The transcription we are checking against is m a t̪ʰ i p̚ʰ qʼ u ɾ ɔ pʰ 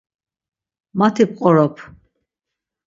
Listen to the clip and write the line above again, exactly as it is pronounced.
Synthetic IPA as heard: m a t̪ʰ i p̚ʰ qʼ ɔ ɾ ɔ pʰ